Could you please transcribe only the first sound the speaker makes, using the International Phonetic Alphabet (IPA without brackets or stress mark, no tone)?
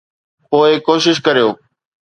p